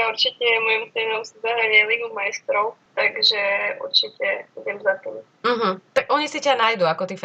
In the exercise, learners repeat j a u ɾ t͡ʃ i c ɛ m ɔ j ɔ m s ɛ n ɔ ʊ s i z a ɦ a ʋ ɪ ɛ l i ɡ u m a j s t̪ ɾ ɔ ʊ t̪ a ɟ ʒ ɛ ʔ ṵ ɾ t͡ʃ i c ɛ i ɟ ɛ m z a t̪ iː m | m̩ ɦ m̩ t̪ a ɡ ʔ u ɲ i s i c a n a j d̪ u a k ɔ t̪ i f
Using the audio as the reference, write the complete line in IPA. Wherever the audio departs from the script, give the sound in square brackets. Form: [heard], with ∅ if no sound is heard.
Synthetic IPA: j a u ɾ t͡ʃ i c ɛ m ɔ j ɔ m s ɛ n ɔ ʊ s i z a ɦ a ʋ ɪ ɛ l i ɡ u m a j s t̪ ɾ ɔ ʊ t̪ a [ɡ] ʒ ɛ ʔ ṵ ɾ t͡ʃ i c ɛ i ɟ ɛ m z a t̪ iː m | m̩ ɦ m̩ t̪ a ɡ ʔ [ɔ] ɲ i s i c a n a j d̪ u a k ɔ t̪ i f